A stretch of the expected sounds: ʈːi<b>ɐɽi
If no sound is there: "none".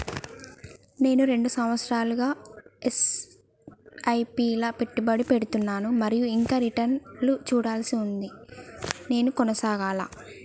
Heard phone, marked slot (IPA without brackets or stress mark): b